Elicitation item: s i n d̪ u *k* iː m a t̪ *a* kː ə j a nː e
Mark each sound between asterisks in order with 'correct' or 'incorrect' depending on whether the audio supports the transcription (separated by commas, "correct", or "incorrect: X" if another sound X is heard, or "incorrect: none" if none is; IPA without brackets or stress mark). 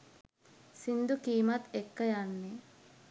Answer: correct, incorrect: e